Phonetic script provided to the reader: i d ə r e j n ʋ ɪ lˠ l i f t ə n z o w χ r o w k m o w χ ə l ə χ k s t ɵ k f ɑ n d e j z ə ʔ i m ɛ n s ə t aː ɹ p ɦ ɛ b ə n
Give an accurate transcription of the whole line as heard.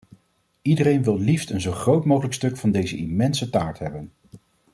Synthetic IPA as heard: i d ə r e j n ʋ ɪ lˠ l i f t ə n z o w χ r o w t m o w χ ə l ə k s t ɵ k f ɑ n d e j z ə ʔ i m ɛ n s ə t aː ɹ t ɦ ɛ b ə n